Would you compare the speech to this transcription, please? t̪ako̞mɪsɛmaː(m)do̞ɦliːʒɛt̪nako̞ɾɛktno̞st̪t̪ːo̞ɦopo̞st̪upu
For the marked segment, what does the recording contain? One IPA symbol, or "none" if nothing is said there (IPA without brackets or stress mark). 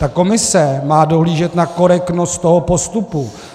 none